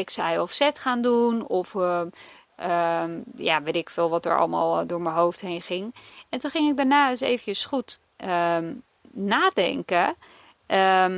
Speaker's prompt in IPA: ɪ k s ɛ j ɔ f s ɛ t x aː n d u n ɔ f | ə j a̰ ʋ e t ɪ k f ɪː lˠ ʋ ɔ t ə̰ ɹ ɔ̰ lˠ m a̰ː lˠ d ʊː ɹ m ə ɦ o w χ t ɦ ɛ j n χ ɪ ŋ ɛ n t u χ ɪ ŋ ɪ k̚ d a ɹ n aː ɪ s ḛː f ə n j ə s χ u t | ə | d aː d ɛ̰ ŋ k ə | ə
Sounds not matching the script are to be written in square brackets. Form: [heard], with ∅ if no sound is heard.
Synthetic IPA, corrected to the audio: ɪ k s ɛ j ɔ f s ɛ t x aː n d u n ɔ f | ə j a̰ ʋ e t ɪ k f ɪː lˠ ʋ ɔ t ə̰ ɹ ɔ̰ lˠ m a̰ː lˠ d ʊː ɹ m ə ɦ o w [f] t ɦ [e] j n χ ɪ ŋ ɛ n t u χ ɪ ŋ ɪ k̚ d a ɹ n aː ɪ s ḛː [v] ə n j ə s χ u t | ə | [n] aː d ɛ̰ ŋ k ə | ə